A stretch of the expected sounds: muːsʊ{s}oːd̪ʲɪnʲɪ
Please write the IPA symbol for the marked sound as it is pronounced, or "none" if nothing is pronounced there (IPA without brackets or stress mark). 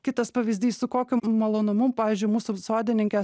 s